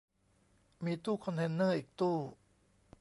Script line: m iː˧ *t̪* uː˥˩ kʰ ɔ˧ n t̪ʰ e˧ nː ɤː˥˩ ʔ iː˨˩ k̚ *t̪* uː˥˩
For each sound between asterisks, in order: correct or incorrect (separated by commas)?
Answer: correct, correct